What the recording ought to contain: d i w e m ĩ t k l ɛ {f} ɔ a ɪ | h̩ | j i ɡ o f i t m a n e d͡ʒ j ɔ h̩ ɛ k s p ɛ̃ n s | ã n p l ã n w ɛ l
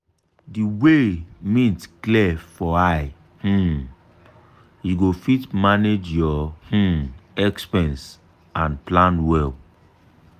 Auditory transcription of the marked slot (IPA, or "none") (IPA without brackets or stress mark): f